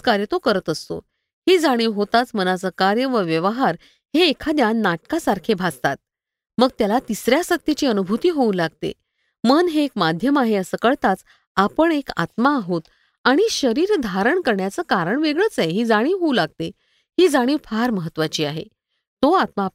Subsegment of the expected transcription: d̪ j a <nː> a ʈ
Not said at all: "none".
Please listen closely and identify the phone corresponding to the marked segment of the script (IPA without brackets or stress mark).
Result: nː